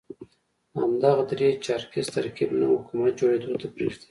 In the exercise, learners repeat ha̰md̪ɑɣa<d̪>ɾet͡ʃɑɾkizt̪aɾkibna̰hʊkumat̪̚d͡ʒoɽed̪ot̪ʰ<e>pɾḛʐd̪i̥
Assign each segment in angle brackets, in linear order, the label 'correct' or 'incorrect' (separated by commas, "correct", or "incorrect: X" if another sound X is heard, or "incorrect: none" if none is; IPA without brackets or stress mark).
correct, incorrect: a